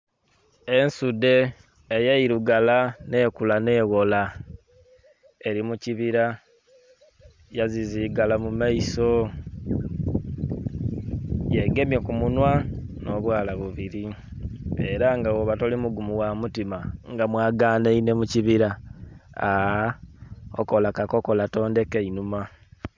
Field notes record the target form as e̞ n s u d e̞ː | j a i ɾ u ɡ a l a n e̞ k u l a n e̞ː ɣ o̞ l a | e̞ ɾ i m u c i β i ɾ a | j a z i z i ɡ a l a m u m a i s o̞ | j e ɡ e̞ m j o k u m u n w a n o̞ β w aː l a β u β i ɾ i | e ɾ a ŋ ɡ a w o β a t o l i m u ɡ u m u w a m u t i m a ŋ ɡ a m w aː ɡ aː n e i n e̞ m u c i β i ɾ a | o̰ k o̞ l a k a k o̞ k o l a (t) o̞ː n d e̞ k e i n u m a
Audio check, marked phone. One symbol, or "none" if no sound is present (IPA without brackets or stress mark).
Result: t